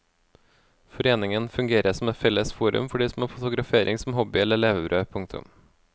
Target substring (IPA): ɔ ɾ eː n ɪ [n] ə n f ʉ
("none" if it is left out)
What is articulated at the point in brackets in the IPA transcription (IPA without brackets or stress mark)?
ŋ